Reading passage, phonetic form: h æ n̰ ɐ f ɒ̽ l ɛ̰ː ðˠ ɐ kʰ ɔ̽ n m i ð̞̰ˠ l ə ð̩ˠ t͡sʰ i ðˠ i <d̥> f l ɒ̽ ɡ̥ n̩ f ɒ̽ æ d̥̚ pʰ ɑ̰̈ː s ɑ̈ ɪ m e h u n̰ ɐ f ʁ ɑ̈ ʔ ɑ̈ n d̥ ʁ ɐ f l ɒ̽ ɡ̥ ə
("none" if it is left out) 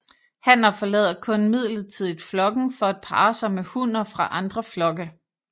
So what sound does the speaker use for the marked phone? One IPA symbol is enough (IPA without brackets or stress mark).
d̥